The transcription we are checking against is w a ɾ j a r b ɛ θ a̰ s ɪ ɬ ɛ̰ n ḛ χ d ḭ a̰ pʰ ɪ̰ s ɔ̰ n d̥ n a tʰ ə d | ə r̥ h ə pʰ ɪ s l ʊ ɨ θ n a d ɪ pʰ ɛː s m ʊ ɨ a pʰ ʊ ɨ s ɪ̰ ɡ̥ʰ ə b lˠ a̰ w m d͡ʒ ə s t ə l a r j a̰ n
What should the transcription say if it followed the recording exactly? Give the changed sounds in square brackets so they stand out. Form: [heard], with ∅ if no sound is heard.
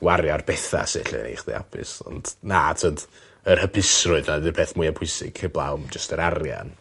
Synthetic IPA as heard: w a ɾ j a r b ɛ θ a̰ s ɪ ɬ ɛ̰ n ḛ χ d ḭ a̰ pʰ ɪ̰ s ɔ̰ n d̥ n a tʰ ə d | ə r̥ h ə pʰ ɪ s [r] ʊ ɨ [ð] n a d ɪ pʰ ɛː [θ] m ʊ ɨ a pʰ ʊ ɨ s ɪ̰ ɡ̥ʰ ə b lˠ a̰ w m d͡ʒ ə s t ə [ɾ] a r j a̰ n